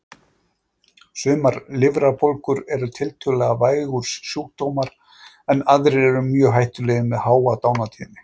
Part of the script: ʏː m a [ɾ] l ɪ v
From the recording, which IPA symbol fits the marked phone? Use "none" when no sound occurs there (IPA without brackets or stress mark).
ɾ